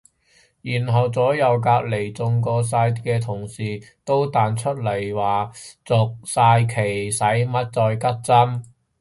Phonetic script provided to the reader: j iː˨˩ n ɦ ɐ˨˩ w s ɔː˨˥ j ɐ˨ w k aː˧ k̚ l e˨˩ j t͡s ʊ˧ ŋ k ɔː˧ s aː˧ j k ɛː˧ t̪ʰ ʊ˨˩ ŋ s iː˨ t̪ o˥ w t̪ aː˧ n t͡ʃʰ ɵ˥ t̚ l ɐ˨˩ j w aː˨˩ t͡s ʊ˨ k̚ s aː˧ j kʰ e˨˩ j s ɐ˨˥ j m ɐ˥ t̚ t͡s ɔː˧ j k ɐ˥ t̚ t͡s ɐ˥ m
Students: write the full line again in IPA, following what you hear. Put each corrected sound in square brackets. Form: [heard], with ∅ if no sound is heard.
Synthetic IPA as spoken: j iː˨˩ n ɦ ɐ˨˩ w [t͡s] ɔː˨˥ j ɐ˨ w k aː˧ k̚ l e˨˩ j t͡s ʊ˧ ŋ k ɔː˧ s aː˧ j k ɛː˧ t̪ʰ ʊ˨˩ ŋ s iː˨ t̪ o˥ w t̪ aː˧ n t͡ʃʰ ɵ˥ t̚ l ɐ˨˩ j w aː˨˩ t͡s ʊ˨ k̚ s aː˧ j kʰ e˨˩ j s ɐ˨˥ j m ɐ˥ t̚ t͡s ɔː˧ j k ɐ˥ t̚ t͡s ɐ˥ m